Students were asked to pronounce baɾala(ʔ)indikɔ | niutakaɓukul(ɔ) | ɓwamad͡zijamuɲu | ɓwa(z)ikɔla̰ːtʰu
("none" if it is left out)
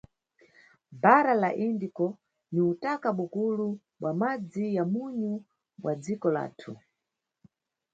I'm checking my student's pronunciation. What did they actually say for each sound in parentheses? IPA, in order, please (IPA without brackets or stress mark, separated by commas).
ʔ, u, d͡z